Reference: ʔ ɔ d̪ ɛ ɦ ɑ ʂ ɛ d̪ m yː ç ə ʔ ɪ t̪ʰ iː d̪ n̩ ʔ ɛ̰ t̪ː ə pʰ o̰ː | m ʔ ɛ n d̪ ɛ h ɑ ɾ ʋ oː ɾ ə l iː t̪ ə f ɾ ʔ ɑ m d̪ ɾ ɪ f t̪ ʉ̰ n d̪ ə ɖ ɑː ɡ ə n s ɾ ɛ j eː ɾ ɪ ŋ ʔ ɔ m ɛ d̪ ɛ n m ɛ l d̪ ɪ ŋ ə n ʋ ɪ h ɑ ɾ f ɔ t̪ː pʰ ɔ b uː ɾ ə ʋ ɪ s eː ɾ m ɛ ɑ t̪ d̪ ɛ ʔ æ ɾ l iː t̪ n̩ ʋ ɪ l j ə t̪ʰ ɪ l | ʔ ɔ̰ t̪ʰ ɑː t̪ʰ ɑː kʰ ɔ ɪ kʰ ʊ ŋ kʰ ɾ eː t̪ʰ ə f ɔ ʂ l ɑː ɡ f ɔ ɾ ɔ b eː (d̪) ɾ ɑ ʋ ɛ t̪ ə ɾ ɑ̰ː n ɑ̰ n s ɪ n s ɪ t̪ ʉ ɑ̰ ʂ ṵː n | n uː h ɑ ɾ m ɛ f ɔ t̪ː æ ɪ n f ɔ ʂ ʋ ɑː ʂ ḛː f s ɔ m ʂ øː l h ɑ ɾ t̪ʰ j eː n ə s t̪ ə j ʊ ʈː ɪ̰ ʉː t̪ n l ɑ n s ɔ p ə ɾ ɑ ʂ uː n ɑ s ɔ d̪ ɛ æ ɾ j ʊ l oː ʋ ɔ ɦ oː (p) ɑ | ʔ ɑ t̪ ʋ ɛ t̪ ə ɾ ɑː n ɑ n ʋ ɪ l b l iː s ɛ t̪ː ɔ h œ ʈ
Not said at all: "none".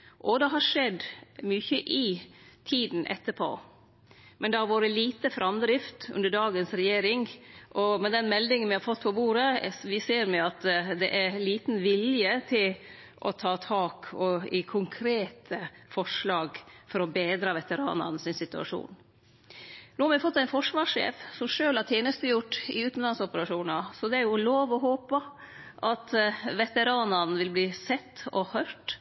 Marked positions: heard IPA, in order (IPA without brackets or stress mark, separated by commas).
d̪, p